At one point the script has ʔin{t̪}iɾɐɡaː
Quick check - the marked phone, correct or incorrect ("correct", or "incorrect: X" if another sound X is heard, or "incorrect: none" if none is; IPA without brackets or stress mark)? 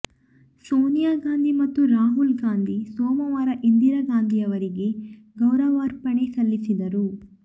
incorrect: d̪